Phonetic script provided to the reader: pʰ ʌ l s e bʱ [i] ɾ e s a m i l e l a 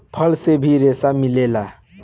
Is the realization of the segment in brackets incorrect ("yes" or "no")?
no